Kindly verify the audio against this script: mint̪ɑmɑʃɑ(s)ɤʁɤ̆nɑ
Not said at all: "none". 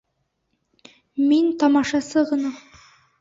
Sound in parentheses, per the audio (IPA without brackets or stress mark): s